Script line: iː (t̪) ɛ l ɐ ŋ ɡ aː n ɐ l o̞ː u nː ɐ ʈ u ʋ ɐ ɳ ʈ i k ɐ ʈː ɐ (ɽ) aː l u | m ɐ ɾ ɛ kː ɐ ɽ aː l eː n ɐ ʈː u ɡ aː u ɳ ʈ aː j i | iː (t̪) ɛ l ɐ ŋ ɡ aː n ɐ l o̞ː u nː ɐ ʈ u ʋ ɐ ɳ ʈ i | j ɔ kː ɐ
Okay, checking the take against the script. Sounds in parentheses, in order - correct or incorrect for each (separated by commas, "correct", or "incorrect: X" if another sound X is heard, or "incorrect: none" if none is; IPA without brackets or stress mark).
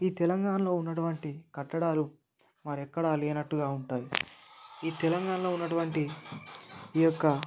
correct, correct, correct